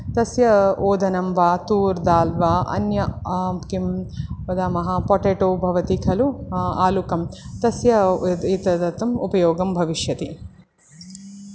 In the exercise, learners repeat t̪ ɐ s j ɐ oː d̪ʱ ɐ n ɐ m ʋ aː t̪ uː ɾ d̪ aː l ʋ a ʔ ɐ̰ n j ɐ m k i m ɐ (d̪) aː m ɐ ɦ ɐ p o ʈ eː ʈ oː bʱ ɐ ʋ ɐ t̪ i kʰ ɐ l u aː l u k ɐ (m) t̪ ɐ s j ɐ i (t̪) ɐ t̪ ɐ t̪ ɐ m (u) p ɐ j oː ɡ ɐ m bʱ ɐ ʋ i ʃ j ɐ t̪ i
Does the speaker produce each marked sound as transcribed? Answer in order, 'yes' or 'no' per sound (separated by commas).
yes, yes, yes, yes